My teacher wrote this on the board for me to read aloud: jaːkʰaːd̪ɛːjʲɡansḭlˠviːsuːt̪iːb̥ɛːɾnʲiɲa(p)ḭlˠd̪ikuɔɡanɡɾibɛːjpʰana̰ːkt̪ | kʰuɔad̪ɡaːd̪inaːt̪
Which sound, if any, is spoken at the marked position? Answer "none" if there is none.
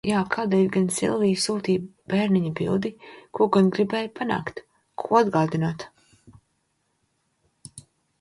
b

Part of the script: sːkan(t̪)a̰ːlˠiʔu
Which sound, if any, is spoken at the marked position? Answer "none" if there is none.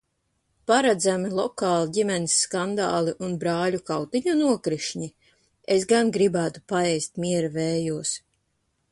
d̪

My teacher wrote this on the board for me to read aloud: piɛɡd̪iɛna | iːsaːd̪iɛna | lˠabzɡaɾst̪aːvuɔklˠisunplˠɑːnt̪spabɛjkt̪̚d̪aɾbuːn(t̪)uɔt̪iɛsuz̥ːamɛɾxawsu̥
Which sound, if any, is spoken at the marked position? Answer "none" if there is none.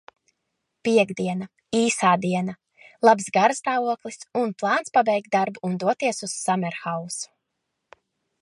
d̪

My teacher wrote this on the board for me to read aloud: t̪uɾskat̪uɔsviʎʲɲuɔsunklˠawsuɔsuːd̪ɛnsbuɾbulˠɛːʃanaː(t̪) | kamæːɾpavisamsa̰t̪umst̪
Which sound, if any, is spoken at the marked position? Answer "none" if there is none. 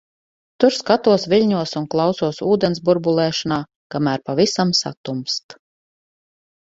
none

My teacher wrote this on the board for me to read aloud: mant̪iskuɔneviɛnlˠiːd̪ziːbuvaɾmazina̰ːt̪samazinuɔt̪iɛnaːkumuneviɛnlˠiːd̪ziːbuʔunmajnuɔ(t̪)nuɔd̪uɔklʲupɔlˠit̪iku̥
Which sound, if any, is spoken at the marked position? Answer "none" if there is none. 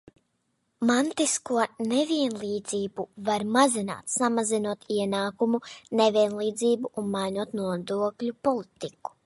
t̪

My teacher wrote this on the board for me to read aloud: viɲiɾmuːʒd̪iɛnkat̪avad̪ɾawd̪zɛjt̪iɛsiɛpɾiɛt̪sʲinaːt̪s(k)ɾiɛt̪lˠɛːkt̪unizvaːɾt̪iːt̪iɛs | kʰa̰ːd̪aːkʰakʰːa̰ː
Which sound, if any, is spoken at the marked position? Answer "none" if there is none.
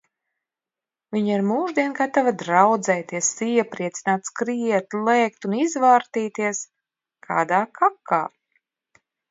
k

